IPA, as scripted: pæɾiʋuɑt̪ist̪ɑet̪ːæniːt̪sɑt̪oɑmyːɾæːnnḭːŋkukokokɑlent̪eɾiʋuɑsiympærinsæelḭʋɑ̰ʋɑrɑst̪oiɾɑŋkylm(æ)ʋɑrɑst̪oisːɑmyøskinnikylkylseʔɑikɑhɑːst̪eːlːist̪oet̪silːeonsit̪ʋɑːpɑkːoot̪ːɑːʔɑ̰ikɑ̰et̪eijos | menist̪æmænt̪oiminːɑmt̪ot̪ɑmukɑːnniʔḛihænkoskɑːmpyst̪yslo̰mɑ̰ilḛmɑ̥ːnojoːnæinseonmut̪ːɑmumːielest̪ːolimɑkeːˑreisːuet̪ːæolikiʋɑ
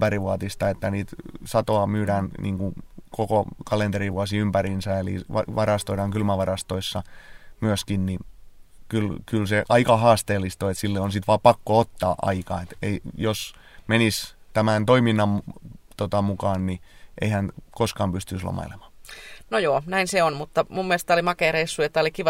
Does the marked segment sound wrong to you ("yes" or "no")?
no